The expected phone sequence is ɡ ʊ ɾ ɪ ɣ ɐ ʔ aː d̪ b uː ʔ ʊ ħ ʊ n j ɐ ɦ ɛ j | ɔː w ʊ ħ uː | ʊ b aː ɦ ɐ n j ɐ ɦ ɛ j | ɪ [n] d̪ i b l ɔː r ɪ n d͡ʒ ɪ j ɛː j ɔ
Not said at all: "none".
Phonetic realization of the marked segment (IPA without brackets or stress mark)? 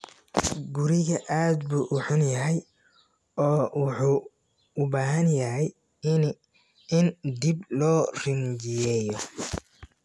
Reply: n